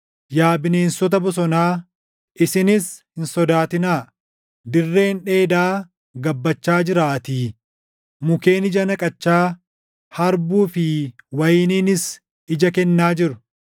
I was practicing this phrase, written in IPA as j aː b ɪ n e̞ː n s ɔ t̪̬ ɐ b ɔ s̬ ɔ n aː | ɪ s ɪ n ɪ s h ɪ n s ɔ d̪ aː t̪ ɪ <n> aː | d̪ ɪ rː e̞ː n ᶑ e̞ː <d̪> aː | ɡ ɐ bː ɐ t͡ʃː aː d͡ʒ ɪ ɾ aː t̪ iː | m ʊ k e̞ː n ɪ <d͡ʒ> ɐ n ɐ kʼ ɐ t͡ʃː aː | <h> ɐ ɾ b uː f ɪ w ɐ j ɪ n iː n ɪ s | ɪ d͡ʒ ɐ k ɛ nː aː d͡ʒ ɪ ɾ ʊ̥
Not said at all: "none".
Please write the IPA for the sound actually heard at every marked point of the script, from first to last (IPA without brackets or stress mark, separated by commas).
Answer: n, d̪, d͡ʒ, h